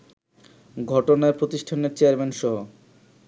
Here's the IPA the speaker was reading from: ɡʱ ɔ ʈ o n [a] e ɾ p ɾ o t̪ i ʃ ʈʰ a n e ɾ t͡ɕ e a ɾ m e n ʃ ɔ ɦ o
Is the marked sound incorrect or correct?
correct